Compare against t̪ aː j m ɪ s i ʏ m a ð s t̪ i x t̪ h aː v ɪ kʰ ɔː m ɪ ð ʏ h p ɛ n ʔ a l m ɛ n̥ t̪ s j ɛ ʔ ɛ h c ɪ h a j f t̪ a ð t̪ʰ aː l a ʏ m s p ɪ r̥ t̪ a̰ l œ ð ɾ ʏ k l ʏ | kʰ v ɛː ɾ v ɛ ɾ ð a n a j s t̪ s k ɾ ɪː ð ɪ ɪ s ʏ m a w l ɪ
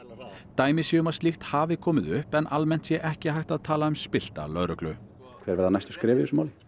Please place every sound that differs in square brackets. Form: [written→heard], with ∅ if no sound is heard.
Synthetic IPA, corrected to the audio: t̪ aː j m ɪ s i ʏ m a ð s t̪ i x t̪ h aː v ɪ kʰ ɔː m ɪ ð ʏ h p ɛ n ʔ a l m ɛ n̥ t̪ s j ɛ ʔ ɛ h c ɪ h a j [f→h] t̪ a ð t̪ʰ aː l a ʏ m s p ɪ [r̥→l̥] t̪ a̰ l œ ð ɾ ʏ k l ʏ | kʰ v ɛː ɾ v ɛ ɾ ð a n a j s t̪ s k ɾ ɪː [ð→v] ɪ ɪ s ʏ m a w l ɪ